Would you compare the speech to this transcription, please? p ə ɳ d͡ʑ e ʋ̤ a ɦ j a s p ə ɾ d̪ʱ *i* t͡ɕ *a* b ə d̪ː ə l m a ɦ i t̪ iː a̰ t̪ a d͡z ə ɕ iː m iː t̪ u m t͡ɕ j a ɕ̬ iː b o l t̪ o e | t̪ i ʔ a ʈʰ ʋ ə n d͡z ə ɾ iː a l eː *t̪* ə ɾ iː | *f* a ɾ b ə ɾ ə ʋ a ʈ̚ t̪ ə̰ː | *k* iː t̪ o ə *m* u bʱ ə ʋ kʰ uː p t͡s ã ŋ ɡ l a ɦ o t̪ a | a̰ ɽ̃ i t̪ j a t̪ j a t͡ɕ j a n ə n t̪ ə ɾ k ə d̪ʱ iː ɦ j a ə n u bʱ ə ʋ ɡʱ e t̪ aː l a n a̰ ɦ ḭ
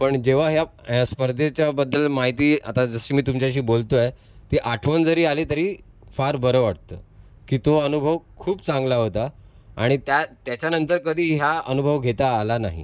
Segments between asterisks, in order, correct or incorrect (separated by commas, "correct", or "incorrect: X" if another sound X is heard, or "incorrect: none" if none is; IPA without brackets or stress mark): incorrect: e, correct, correct, correct, correct, incorrect: n